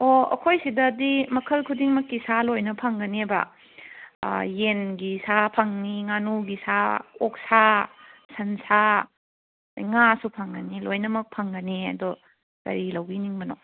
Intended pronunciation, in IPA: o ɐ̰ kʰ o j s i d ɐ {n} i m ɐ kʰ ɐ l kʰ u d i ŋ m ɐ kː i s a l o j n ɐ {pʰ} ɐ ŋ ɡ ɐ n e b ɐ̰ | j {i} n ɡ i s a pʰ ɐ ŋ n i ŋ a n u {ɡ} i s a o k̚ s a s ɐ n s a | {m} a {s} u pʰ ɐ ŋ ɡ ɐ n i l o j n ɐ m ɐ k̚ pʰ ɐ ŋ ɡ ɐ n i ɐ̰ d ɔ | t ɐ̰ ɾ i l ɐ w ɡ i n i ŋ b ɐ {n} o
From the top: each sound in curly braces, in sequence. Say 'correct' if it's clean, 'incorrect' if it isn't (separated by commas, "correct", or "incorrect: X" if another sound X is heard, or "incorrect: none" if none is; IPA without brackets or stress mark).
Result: incorrect: d, correct, incorrect: e, correct, incorrect: ŋ, correct, correct